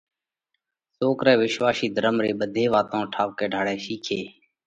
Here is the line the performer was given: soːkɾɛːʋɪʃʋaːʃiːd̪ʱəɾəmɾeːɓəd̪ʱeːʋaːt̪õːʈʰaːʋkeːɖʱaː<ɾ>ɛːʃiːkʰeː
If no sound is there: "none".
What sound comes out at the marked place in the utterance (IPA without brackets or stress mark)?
ɽ